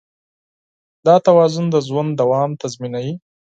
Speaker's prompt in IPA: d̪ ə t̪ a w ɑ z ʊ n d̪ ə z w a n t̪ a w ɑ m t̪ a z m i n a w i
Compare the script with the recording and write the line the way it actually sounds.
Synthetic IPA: d̪ ɑ t̪ a w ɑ z ʊ n d̪ ə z w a n d̪ a w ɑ m t̪ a z m i n a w i